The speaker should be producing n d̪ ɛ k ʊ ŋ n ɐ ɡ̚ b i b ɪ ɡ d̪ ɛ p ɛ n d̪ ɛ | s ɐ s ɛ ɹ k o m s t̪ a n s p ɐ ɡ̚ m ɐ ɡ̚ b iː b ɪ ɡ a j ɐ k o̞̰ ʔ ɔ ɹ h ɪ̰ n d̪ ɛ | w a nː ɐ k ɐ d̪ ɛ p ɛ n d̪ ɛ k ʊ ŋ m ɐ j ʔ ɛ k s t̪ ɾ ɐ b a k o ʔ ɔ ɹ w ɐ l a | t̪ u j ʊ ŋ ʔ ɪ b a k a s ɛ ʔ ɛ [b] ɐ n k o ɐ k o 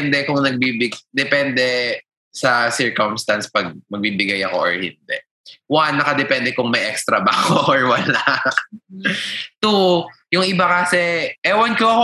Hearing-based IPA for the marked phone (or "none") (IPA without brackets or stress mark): w